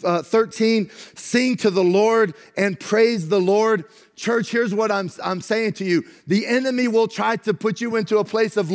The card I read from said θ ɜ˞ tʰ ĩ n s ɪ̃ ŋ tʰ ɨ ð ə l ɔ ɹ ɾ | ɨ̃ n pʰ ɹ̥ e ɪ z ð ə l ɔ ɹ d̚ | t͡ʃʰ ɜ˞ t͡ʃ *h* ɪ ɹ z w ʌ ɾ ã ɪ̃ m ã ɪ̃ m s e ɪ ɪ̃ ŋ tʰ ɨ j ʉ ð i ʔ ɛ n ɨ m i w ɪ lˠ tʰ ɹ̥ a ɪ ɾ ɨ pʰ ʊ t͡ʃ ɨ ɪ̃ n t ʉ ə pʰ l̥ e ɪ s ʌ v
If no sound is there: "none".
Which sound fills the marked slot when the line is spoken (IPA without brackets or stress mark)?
h